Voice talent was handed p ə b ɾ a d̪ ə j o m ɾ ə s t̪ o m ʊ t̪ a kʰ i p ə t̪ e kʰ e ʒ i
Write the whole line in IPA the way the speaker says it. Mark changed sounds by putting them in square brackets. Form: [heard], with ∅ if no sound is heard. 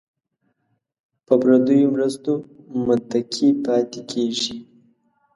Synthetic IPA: p ə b ɾ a d̪ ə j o m ɾ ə s t̪ o m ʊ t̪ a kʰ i p [ɑ] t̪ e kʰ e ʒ i